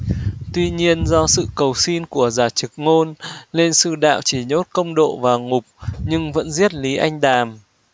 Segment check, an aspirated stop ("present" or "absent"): absent